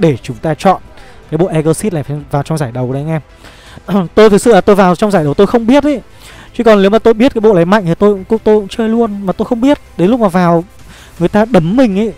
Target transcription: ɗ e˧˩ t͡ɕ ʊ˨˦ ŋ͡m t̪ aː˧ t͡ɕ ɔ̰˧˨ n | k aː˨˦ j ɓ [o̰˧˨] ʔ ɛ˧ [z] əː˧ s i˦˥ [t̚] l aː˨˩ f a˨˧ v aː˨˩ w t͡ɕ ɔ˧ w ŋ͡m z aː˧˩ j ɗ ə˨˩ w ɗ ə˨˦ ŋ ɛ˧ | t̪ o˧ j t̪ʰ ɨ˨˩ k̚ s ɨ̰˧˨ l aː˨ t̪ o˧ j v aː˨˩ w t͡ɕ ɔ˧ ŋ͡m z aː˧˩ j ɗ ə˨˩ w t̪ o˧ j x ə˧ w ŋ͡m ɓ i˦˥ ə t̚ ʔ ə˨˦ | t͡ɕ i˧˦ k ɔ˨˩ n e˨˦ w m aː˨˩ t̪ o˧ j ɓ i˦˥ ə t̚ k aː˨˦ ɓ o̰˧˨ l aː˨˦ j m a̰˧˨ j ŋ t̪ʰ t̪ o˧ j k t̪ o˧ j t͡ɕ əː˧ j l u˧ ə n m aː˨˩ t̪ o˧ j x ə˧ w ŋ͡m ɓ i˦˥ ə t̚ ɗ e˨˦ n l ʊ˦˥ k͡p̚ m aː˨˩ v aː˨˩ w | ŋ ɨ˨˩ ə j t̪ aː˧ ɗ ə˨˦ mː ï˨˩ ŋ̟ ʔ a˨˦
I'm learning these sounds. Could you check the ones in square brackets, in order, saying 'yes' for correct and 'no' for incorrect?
yes, no, yes

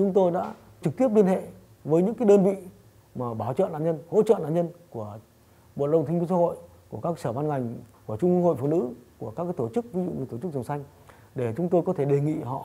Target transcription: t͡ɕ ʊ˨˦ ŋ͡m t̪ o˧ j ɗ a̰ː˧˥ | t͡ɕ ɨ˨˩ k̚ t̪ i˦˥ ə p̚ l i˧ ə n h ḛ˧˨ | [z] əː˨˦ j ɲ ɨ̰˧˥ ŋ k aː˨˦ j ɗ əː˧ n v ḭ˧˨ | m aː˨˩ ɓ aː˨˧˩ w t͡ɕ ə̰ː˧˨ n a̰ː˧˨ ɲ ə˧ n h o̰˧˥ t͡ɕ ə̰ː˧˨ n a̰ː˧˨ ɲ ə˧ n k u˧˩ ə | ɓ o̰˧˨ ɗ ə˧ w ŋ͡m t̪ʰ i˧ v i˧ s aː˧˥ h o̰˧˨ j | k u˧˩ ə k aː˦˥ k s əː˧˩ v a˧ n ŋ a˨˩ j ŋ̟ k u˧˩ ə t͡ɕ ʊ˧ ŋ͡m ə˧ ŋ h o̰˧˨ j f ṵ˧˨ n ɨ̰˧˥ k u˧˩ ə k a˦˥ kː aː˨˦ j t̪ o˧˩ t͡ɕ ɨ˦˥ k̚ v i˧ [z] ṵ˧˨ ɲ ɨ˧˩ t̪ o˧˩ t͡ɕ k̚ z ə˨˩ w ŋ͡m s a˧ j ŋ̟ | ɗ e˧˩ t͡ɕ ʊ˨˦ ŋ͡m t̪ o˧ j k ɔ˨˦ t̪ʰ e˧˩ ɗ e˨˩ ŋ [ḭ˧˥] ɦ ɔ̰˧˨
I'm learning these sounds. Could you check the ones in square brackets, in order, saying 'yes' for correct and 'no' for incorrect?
no, yes, no

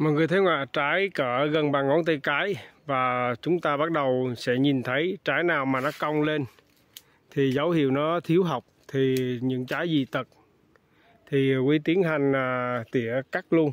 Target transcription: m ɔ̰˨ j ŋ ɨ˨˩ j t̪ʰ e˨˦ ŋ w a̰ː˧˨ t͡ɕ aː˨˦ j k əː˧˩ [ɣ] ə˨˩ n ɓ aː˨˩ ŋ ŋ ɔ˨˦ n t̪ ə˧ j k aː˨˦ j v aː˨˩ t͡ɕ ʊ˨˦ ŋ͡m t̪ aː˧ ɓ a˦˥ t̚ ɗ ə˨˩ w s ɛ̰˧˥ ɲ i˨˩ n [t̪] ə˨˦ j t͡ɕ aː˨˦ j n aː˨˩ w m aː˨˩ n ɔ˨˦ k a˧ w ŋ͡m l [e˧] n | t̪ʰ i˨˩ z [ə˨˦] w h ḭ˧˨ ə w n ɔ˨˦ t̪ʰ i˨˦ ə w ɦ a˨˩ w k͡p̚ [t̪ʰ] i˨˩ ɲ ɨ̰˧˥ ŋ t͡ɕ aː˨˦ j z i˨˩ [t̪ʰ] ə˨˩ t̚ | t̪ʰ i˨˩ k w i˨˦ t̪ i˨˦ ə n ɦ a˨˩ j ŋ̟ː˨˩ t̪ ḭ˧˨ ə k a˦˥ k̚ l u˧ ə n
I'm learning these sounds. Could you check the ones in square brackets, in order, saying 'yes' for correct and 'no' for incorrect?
yes, no, yes, yes, yes, no

